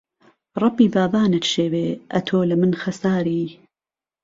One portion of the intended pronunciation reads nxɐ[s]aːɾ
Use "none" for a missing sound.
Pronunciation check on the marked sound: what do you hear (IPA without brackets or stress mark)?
s